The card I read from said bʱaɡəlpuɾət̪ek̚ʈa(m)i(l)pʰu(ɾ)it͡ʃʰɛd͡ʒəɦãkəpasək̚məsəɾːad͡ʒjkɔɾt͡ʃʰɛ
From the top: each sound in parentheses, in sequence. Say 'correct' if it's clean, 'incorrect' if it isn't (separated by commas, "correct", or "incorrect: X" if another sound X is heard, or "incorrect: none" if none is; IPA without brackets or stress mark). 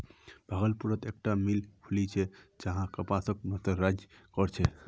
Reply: correct, correct, incorrect: l